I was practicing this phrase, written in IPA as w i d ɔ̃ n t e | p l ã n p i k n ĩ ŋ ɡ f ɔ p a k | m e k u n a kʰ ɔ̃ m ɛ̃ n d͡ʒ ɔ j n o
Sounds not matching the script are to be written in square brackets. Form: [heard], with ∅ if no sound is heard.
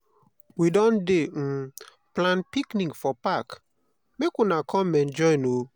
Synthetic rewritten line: w i d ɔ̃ n [d] e | p l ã n p i k n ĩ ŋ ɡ f ɔ p a k | m e k u n a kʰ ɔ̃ m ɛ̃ n d͡ʒ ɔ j n o